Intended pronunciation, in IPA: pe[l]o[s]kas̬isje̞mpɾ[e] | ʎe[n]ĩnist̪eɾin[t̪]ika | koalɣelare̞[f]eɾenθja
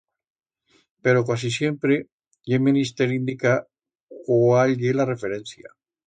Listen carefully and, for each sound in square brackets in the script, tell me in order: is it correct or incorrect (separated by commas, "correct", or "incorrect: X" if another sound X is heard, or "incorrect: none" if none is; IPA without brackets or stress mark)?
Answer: incorrect: ɾ, incorrect: none, correct, incorrect: m, incorrect: d̪, correct